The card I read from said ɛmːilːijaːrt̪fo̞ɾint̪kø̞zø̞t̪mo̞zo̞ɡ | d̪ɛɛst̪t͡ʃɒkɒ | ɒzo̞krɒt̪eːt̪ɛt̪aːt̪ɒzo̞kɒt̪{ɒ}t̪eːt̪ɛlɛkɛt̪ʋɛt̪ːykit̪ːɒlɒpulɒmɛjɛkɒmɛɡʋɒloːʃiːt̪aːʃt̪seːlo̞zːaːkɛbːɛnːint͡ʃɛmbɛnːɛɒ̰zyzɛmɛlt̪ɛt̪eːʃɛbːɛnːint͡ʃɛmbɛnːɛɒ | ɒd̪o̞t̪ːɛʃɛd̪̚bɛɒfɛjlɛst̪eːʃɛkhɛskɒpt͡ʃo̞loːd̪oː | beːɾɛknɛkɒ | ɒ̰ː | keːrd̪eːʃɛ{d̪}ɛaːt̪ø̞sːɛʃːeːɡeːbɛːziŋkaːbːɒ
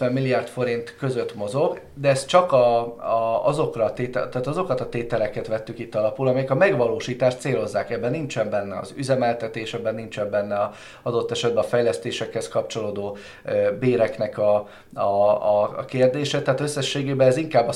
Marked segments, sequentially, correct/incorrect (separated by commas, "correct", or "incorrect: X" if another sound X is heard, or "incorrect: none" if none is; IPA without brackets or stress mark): correct, incorrect: t̪